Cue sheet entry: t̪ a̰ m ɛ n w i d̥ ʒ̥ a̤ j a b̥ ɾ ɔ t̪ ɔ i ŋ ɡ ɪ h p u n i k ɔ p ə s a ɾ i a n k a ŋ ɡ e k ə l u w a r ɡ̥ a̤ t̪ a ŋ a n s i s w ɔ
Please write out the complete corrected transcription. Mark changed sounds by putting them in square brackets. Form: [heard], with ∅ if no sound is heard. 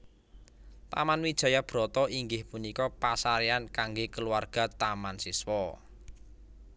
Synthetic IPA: t̪ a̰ m [a] n w i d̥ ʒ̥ a̤ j a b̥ ɾ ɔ t̪ ɔ i ŋ ɡ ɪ h p u n i k ɔ p [a] s a ɾ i a n k a ŋ ɡ e k ə l u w a r ɡ̥ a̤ t̪ a [m] a n s i s w ɔ